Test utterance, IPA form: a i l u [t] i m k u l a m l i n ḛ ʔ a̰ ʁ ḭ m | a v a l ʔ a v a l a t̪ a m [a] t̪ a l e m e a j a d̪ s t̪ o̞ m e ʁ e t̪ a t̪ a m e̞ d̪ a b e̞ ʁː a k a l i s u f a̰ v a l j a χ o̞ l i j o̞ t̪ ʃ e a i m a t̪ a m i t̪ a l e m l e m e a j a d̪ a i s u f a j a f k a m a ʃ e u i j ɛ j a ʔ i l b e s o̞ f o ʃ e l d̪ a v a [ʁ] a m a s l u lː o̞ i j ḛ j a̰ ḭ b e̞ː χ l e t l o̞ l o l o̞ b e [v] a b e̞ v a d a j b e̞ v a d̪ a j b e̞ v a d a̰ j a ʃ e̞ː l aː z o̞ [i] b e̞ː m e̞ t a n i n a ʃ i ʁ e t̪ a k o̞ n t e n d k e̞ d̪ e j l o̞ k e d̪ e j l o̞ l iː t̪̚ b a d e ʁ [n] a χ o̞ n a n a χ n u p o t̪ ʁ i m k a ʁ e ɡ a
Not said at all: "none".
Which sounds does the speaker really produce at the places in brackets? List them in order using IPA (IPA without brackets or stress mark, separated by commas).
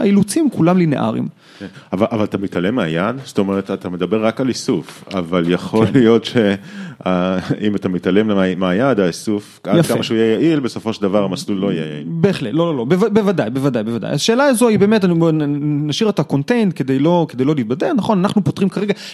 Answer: t͡s, i, ʁ, v, i, n